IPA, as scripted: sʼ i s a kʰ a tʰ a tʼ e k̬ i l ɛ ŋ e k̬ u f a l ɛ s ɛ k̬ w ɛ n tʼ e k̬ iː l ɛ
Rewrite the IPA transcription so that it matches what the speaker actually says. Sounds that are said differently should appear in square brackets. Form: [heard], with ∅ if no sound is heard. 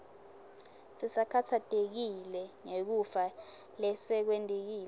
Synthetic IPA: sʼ i s a kʰ a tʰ a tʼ e k̬ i l ɛ ŋ e k̬ u f a l ɛ s ɛ k̬ w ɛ n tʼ e k̬ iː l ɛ